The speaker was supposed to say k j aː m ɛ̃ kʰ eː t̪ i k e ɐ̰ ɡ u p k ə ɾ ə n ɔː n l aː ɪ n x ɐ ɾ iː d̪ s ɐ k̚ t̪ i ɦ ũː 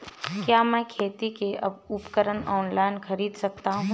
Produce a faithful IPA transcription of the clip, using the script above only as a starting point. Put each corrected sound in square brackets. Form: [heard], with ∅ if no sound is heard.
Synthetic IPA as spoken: k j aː m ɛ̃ kʰ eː t̪ i k e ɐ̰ [b] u p k ə ɾ ə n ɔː n l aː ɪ n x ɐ ɾ iː d̪ s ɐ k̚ t̪ [a] ɦ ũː